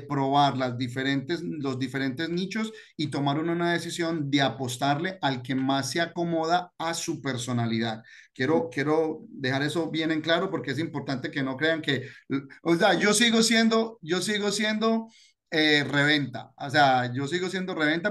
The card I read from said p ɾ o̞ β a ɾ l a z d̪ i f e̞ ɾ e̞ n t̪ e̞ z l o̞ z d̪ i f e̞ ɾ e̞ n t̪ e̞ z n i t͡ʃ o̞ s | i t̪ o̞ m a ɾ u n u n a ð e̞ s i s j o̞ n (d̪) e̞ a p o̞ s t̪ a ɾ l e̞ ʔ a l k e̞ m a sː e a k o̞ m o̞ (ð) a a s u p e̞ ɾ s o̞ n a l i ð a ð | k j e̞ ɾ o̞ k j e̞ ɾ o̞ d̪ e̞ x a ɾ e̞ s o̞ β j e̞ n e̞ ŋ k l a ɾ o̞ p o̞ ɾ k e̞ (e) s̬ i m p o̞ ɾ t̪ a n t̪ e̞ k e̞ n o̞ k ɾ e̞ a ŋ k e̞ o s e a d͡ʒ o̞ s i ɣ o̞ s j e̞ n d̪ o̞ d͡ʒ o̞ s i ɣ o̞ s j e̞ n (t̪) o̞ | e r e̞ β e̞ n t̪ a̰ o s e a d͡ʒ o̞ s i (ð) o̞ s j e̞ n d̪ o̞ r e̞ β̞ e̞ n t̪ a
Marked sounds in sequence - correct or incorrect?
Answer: correct, correct, correct, incorrect, incorrect

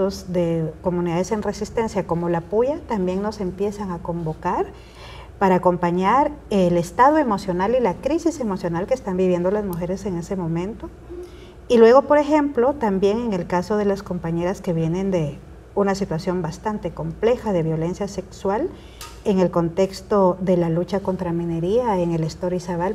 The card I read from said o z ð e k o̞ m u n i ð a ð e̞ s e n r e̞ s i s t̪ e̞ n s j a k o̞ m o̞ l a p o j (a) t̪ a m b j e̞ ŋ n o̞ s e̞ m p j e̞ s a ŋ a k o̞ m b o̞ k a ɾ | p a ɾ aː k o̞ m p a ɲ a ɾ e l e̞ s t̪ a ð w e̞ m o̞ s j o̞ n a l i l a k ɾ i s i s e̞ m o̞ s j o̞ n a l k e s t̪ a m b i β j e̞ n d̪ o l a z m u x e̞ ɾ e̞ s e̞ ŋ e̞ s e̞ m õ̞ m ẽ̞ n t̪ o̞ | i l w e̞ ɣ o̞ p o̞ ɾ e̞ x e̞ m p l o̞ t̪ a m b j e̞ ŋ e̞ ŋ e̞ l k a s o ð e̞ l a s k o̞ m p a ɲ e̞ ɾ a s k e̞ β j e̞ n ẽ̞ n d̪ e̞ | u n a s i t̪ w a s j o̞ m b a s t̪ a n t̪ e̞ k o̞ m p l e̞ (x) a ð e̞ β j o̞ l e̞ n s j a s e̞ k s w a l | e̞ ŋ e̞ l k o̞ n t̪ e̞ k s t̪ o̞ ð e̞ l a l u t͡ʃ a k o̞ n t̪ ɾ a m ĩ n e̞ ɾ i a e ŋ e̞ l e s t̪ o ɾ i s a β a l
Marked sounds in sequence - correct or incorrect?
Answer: correct, correct

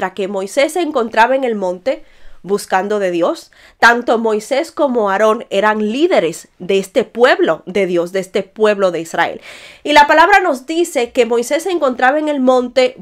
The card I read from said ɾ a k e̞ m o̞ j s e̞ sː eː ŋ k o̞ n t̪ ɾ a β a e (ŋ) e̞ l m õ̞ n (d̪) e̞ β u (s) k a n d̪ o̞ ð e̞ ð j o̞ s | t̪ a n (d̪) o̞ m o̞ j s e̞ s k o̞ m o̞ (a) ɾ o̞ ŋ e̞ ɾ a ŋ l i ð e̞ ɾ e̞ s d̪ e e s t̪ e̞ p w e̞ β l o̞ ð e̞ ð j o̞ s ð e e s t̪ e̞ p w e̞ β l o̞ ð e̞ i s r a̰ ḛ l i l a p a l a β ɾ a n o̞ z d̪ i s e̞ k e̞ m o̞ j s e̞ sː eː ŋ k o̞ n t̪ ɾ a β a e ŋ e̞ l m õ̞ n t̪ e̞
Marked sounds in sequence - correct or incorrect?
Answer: correct, incorrect, correct, incorrect, correct

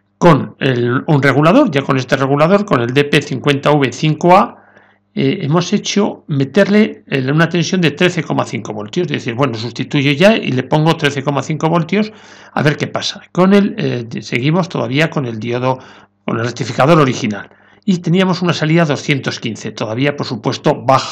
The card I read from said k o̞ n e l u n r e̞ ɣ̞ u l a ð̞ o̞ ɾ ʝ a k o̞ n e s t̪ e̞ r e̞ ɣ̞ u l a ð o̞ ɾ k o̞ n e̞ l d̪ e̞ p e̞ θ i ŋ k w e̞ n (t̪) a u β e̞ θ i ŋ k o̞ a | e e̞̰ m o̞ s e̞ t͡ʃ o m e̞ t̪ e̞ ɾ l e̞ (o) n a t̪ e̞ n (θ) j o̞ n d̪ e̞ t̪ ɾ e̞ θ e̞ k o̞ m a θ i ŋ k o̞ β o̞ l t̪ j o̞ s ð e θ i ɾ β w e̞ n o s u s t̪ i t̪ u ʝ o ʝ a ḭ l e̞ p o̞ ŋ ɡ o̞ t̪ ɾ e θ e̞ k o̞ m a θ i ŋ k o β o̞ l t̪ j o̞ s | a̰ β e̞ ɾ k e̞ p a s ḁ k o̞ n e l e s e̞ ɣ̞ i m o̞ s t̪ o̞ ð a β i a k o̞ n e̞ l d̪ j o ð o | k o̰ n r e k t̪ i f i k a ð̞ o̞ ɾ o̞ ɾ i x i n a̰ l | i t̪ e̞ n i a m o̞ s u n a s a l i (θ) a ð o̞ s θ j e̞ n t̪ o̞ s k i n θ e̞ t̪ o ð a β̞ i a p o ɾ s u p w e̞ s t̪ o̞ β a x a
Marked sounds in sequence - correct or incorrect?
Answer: correct, incorrect, incorrect, incorrect

